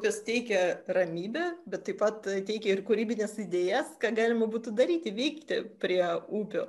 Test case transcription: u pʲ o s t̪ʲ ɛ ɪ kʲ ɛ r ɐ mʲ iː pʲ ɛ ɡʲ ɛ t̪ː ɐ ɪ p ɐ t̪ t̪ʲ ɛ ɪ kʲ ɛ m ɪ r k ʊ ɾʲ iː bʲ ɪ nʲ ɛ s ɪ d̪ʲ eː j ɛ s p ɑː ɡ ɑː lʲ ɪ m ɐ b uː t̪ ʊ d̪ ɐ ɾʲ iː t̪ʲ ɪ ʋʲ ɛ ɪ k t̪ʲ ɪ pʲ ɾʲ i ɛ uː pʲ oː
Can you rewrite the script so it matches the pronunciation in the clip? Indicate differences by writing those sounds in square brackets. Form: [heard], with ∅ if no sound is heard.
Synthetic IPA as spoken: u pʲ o s t̪ʲ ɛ ɪ kʲ ɛ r ɐ mʲ iː [bʲ] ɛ [bʲ] ɛ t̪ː ɐ ɪ p ɐ t̪ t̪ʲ ɛ ɪ kʲ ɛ [∅] ɪ r k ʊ ɾʲ iː bʲ ɪ nʲ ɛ s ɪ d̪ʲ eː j ɛ s [k] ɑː ɡ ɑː lʲ ɪ m ɐ b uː t̪ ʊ d̪ ɐ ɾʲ iː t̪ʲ ɪ ʋʲ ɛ ɪ k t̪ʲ ɪ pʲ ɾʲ i ɛ uː pʲ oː